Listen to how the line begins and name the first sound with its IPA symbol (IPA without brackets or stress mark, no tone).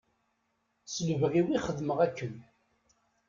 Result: s